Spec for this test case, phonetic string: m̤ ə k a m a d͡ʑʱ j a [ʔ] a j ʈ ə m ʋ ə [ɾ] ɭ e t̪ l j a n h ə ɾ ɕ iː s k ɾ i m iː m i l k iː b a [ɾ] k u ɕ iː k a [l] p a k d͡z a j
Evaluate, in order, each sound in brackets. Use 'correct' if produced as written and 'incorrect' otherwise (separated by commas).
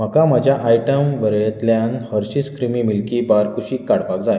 correct, correct, correct, incorrect